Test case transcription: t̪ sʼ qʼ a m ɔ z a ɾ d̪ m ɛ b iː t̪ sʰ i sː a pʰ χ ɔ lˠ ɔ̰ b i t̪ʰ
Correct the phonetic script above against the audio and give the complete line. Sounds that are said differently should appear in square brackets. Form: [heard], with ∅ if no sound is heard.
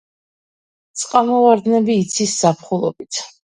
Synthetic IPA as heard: t̪ sʼ qʼ a m ɔ [v] a ɾ d̪ [n] ɛ b iː t̪ sʰ i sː a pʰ χ [u] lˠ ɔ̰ b i t̪ʰ